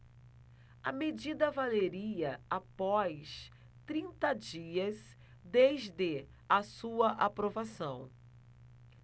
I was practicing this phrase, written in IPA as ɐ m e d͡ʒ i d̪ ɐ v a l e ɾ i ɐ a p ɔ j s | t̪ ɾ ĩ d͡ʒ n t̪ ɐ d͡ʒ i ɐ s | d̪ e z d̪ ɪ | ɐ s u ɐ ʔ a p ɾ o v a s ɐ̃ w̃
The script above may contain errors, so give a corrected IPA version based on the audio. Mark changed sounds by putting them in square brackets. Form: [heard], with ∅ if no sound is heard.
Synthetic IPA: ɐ m e d͡ʒ i d̪ ɐ v a l e ɾ i ɐ a p ɔ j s | t̪ ɾ ĩ [∅] n t̪ ɐ d͡ʒ i ɐ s | d̪ e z d̪ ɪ | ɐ s u ɐ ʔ a p ɾ o v a s ɐ̃ w̃